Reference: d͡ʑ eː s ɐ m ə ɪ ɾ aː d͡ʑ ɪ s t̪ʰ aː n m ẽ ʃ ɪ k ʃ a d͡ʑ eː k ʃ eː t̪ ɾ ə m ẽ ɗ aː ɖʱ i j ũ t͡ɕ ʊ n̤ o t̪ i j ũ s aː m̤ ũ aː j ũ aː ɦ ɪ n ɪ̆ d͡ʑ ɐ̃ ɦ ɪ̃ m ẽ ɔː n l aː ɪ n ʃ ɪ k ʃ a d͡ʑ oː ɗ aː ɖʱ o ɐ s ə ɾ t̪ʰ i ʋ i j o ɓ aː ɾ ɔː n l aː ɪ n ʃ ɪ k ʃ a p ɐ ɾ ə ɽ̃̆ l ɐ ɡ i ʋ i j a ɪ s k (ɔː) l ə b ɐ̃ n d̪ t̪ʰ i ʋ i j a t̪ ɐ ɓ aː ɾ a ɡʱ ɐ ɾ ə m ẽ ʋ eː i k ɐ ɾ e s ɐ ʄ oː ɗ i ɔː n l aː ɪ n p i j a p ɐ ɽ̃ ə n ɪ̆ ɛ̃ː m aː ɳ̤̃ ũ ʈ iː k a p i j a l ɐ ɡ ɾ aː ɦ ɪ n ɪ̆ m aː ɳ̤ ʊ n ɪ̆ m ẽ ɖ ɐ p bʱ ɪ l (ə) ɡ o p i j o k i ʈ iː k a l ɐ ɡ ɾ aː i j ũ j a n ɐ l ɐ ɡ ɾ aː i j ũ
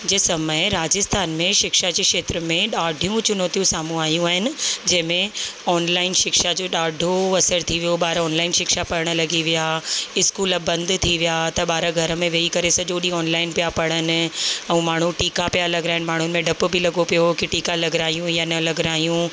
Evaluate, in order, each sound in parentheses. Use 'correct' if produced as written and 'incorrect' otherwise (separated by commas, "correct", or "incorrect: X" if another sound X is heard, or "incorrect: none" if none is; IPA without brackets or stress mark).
incorrect: uː, incorrect: ɐ